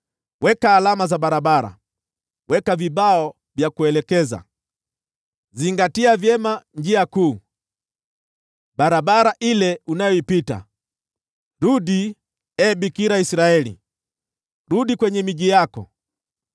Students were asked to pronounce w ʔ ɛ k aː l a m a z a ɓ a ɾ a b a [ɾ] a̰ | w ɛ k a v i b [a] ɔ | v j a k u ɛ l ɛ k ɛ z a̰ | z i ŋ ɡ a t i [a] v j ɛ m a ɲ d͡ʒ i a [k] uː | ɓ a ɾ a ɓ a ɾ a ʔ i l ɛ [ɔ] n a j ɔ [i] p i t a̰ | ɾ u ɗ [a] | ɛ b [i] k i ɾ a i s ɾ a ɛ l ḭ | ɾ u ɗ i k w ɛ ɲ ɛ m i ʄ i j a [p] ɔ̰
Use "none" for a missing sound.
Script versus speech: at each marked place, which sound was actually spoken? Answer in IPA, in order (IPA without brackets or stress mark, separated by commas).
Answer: ɾ, a, a, k, u, i, i, i, k